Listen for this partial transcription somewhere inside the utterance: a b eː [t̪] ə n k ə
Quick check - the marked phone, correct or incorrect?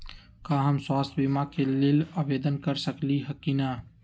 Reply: incorrect